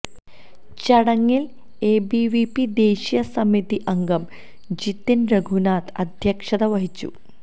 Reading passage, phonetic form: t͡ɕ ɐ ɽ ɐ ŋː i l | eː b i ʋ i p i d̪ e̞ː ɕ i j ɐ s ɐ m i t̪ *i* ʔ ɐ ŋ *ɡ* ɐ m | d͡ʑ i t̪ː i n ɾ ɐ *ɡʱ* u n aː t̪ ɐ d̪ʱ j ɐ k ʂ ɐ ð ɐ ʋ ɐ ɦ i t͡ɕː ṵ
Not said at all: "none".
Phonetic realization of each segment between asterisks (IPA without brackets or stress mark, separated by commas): i, ɡ, ɡʱ